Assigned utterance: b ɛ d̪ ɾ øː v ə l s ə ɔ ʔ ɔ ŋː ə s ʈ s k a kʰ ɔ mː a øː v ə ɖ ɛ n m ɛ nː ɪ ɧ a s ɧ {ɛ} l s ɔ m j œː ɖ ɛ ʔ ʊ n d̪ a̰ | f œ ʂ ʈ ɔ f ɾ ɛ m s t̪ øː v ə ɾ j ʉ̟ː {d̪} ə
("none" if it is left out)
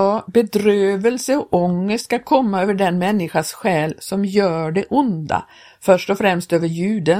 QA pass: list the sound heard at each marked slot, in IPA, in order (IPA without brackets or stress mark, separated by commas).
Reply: ɛː, d̪